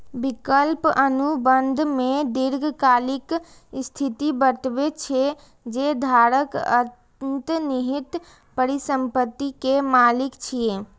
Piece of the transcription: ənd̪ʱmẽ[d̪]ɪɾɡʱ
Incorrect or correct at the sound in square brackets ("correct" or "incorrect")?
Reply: correct